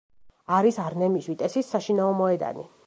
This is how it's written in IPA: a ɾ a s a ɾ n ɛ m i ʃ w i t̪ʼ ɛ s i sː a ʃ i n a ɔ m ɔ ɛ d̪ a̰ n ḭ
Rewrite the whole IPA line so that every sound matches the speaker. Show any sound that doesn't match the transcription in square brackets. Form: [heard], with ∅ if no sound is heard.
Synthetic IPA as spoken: a ɾ [i] s a ɾ n ɛ m i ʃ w i t̪ʼ ɛ s i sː a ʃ i n a ɔ m ɔ ɛ d̪ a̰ n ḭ